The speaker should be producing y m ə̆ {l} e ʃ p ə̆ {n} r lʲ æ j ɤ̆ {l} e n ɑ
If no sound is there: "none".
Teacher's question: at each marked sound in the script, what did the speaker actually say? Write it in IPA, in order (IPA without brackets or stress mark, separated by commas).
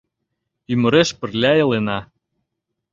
ɾ, none, l